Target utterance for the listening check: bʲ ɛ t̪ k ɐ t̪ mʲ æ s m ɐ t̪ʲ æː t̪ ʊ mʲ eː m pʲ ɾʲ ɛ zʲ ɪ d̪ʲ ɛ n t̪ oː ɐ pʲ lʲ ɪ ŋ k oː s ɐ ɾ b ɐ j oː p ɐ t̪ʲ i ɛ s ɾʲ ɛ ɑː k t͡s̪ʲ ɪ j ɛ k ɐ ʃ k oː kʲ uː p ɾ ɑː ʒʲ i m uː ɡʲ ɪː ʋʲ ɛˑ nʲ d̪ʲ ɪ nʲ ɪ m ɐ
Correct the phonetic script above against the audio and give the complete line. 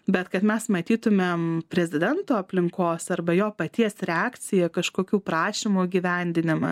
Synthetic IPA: bʲ ɛ t̪ k ɐ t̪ mʲ ɛ s m ɐ t̪ʲ iː t̪ ʊ mʲ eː m pʲ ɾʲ ɛ zʲ ɪ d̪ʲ ɛ n t̪ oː ɐ pʲ lʲ ɪ ŋ k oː s ɐ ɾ b ɐ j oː p ɐ t̪ʲ i ɛ s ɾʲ ɛ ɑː k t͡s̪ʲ ɪ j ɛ k ɐ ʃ k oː kʲ uː p ɾ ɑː ʃʲ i m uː ɡʲ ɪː ʋʲ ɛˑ nʲ d̪ʲ ɪ nʲ ɪ m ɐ